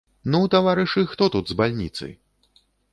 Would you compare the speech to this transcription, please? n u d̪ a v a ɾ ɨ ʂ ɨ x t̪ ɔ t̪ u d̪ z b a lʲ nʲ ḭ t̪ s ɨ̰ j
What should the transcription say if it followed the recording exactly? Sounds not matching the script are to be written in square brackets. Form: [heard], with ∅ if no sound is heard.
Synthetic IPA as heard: n u [t̪] a v a ɾ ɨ ʂ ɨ x t̪ ɔ t̪ u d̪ z b a lʲ nʲ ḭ t̪ s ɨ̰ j